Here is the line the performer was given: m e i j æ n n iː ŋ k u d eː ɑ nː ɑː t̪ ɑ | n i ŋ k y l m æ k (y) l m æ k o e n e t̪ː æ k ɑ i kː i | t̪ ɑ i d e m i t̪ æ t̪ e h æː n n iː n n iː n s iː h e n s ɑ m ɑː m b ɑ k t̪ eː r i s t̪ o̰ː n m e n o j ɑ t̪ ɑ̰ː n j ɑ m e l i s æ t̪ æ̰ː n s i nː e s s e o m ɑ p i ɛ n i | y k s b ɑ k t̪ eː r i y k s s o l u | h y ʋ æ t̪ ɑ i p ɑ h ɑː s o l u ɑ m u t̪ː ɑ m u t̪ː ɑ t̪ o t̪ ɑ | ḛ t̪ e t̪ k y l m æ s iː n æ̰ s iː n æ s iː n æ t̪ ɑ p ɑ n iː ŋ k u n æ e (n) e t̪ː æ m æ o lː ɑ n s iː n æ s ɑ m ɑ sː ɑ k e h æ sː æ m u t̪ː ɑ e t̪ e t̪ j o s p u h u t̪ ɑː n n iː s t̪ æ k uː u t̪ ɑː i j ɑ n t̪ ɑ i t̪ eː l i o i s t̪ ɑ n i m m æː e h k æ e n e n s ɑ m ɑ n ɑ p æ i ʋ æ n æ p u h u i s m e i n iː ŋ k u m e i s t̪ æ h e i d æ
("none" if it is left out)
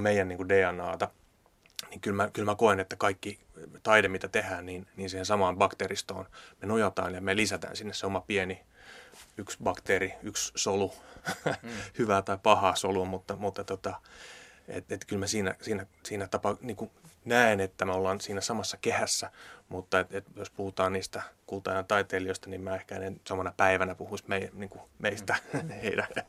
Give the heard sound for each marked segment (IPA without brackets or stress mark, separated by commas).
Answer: y, n